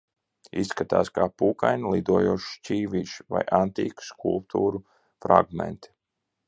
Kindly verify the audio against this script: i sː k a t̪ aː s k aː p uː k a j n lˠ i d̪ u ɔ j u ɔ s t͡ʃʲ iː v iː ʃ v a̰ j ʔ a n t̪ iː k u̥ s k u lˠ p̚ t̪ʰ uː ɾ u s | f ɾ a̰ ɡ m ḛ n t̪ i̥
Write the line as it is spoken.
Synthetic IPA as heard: i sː k a t̪ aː s k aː p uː k a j n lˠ i d̪ u ɔ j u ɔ ʃ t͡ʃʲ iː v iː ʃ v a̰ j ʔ a n t̪ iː k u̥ s k u lˠ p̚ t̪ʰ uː ɾ u | f ɾ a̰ ɡ m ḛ n t̪ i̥